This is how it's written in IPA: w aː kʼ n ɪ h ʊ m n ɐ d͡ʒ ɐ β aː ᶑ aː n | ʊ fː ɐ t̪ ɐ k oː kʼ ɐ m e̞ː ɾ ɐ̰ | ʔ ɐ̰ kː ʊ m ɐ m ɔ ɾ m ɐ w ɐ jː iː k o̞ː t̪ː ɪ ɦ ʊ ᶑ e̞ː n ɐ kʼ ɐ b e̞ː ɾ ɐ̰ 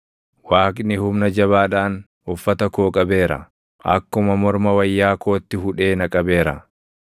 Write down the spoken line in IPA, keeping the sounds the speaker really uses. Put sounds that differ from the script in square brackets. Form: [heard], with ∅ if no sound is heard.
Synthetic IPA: w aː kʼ n ɪ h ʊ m n ɐ d͡ʒ ɐ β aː ᶑ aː n | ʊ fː ɐ t̪ ɐ k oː kʼ ɐ [b] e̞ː ɾ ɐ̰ | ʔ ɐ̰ kː ʊ m ɐ m ɔ ɾ m ɐ w ɐ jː [aː] k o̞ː t̪ː ɪ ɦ ʊ ᶑ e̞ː n ɐ kʼ ɐ b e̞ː ɾ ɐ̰

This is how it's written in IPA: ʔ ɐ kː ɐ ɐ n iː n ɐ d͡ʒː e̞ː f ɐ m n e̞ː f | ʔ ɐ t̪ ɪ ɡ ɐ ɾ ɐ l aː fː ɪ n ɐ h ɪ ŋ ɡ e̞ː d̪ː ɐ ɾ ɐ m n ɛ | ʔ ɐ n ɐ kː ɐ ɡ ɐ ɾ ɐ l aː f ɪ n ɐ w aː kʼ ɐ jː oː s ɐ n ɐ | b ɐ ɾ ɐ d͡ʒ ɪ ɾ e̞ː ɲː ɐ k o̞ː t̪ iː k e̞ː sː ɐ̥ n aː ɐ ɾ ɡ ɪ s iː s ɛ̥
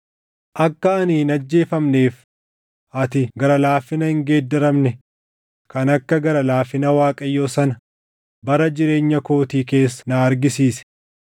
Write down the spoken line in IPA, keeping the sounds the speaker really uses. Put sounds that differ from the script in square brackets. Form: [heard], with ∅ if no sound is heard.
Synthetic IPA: ʔ ɐ kː ɐ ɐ n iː n ɐ d͡ʒː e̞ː f ɐ m n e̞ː f | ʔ ɐ t̪ ɪ ɡ ɐ ɾ ɐ l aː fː ɪ n ɐ h ɪ ŋ ɡ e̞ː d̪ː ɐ ɾ ɐ m n ɛ | [k] ɐ n ɐ kː ɐ ɡ ɐ ɾ ɐ l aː f ɪ n ɐ w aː kʼ ɐ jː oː s ɐ n ɐ | b ɐ ɾ ɐ d͡ʒ ɪ ɾ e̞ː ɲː ɐ k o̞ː t̪ iː k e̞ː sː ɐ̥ n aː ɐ ɾ ɡ ɪ s iː s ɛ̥

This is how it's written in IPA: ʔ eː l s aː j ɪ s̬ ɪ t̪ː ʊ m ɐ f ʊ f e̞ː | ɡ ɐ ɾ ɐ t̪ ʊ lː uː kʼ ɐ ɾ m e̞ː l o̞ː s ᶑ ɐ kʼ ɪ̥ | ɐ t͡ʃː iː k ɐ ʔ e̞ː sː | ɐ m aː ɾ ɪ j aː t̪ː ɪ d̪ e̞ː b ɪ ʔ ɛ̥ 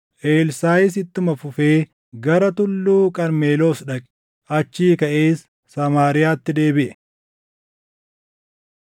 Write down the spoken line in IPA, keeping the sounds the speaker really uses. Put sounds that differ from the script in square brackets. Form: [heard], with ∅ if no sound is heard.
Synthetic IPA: ʔ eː l s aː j ɪ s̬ ɪ t̪ː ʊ m ɐ f ʊ f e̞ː | ɡ ɐ ɾ ɐ t̪ ʊ lː uː kʼ ɐ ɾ m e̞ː l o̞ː s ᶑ ɐ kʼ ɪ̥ | ɐ t͡ʃː iː k ɐ ʔ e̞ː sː | ɐ m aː ɾ ɪ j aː t̪ː ɪ d̪ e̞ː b ɪ ʔ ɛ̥

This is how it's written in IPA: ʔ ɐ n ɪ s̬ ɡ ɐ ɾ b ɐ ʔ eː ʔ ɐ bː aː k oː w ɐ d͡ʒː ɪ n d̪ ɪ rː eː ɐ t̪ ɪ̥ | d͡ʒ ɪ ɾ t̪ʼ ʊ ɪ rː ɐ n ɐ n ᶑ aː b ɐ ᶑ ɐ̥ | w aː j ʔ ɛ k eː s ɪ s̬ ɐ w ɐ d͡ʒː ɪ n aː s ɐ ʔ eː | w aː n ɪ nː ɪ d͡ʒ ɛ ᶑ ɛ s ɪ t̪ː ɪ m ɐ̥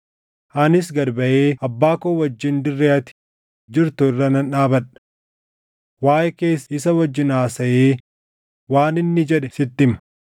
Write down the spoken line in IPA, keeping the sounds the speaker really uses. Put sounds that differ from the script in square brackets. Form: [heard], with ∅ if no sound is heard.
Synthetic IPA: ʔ ɐ n ɪ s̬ ɡ ɐ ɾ b ɐ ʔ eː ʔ ɐ bː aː k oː w ɐ d͡ʒː ɪ n d̪ ɪ rː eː ɐ t̪ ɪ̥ | d͡ʒ ɪ ɾ [t̪] ʊ ɪ rː ɐ n ɐ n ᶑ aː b ɐ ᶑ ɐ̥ | w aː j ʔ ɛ k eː s ɪ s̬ ɐ w ɐ d͡ʒː ɪ n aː s ɐ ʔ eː | w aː n ɪ nː ɪ d͡ʒ ɛ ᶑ ɛ s ɪ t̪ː ɪ m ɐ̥

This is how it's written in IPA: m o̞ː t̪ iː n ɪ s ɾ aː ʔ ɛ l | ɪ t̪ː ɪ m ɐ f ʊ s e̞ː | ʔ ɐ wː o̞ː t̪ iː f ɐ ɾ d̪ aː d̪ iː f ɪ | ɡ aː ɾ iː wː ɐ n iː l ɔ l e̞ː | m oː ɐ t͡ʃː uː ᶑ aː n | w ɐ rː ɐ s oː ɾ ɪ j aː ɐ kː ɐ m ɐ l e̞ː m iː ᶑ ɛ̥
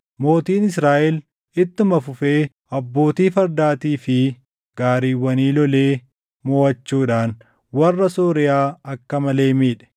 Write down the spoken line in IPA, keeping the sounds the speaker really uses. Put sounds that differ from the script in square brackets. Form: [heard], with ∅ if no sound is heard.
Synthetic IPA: m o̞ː t̪ iː n ɪ s ɾ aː ʔ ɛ l | ɪ t̪ː ɪ m ɐ f ʊ [f] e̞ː | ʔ ɐ [bː] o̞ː t̪ iː f ɐ ɾ d̪ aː [t̪] iː f ɪ | ɡ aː ɾ iː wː ɐ n iː l ɔ l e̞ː | m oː ɐ t͡ʃː uː ᶑ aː n | w ɐ rː ɐ s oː ɾ ɪ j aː ɐ kː ɐ m ɐ l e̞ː m iː ᶑ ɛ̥

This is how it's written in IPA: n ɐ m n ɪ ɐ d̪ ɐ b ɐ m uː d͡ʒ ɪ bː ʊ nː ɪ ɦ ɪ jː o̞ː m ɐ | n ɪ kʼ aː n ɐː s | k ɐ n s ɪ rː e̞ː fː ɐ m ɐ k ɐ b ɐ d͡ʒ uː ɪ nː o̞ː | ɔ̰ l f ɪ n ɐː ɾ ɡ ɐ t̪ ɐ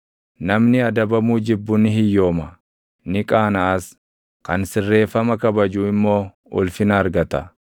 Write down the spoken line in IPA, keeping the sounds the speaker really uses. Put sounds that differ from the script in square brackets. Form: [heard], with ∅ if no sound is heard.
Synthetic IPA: n ɐ m n ɪ ɐ d̪ ɐ b ɐ m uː d͡ʒ ɪ bː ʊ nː ɪ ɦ ɪ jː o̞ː m ɐ | n ɪ kʼ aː n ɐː s | k ɐ n s ɪ rː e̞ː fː ɐ m ɐ k ɐ b ɐ d͡ʒ uː ɪ [mː] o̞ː | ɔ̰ l f ɪ n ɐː ɾ ɡ ɐ t̪ ɐ

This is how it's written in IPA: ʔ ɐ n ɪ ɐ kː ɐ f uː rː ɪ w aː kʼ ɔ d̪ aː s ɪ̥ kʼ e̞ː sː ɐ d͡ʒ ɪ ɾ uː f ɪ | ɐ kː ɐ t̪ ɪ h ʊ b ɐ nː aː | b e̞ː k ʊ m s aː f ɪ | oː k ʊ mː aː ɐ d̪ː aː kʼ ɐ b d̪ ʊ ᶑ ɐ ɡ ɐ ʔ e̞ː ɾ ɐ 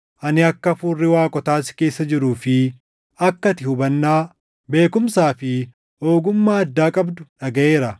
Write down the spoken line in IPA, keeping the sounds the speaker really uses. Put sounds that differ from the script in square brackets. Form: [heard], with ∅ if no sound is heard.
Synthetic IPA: ʔ ɐ n ɪ ɐ kː ɐ f uː rː ɪ w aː kʼ ɔ [t̪] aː s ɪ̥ [k] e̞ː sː ɐ d͡ʒ ɪ ɾ uː f ɪ | ɐ kː ɐ t̪ ɪ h ʊ b ɐ nː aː | b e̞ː k ʊ m s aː f ɪ | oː [ɡ] ʊ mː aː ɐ d̪ː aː kʼ ɐ b d̪ ʊ ᶑ ɐ ɡ ɐ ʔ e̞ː ɾ ɐ

